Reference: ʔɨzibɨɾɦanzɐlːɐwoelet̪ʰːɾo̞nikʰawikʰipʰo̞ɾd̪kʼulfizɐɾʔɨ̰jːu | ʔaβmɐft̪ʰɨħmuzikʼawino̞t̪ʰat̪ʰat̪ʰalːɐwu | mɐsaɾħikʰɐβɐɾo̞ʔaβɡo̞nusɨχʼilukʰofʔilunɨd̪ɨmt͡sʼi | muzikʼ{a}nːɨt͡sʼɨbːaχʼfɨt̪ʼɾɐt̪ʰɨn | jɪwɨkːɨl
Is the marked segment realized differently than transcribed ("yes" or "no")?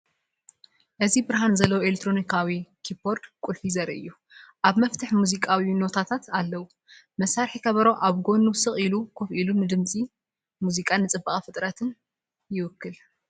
no